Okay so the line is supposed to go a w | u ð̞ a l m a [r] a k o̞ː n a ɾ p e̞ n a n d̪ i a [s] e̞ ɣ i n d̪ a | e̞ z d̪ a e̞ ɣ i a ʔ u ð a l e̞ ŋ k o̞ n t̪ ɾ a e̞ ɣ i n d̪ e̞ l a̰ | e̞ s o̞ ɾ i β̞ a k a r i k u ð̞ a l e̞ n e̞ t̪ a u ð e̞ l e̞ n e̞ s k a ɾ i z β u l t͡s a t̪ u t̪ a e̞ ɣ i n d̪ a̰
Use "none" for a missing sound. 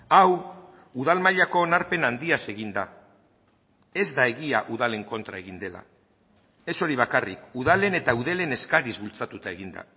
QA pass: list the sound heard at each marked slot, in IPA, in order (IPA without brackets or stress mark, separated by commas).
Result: ʎ, s